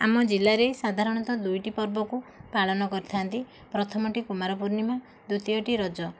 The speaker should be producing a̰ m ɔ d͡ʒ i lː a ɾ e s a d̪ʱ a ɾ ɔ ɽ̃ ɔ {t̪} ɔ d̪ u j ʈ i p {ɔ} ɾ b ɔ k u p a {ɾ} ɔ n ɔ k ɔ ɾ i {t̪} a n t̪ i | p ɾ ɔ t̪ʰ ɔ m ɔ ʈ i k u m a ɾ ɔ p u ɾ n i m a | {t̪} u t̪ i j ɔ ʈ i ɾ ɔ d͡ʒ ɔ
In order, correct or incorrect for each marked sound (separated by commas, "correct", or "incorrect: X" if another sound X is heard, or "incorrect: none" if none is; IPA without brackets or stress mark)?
correct, correct, incorrect: ɭ, incorrect: t̪ʰ, incorrect: d̪